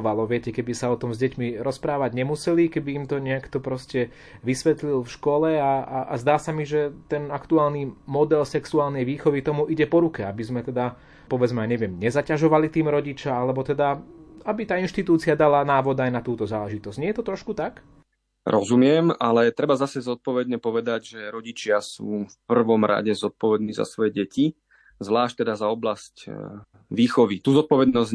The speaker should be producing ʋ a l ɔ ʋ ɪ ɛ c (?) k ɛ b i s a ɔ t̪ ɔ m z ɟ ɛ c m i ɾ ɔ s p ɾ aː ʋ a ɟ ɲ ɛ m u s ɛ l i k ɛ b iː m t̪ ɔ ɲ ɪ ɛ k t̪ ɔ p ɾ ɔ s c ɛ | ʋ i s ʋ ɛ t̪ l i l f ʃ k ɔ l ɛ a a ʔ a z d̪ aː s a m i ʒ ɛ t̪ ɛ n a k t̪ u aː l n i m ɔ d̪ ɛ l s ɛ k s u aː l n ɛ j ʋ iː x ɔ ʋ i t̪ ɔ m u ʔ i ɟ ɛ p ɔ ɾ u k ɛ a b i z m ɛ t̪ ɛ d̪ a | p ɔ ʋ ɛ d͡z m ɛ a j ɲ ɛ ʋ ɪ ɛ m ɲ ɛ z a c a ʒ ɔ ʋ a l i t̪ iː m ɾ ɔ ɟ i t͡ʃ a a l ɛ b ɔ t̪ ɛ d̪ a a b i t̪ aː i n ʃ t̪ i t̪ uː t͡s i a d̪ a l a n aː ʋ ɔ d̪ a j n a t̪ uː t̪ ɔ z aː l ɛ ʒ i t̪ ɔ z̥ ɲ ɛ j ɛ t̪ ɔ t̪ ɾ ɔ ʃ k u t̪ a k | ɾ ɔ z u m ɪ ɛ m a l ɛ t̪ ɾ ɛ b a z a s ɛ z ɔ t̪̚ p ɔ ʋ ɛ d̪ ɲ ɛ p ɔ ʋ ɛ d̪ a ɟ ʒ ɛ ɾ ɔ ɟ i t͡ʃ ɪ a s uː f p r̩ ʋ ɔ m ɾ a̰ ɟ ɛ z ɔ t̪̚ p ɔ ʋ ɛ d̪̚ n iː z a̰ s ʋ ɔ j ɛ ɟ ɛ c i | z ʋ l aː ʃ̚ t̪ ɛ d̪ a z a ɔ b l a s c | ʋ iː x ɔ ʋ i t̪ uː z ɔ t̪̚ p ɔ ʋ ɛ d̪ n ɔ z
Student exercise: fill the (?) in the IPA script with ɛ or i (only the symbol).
ɛ